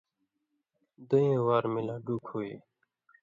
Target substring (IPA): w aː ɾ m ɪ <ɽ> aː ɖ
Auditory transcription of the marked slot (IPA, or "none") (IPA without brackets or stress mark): l